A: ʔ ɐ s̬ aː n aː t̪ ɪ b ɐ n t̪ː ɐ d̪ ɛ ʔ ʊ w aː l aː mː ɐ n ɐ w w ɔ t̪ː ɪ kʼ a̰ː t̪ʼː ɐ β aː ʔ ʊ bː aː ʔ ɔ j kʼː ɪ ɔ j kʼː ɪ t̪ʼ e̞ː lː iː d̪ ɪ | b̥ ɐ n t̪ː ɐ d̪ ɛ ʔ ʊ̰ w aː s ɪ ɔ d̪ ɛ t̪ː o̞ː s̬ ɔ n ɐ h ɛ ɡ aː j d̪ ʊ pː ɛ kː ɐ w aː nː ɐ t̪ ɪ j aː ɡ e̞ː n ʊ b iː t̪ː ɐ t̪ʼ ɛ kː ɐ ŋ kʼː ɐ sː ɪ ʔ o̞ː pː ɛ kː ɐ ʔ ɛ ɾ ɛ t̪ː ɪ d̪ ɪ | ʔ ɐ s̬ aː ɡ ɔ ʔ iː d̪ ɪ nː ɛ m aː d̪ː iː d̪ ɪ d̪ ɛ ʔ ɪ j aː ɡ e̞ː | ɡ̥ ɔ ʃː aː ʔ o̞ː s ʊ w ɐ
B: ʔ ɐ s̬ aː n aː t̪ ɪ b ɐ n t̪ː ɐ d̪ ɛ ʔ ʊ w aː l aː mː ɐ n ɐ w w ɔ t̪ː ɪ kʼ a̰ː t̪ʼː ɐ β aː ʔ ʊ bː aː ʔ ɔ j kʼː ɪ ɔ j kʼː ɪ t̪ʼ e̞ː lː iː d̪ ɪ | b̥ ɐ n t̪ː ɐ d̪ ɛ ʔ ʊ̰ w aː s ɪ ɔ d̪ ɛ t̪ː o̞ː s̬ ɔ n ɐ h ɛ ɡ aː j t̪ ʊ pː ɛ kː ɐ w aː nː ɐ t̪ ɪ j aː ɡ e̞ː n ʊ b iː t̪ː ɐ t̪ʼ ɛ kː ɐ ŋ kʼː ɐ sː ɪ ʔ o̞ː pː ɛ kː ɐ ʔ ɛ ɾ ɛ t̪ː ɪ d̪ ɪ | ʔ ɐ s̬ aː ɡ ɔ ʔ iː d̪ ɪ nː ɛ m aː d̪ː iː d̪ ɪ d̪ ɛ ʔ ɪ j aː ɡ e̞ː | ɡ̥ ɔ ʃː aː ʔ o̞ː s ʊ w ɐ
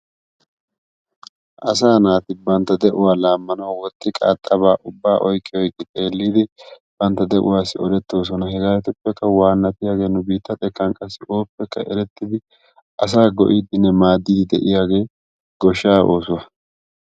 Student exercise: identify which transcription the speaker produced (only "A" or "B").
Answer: B